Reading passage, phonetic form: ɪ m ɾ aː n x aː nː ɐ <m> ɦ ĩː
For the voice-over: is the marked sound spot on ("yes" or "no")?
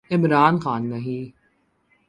no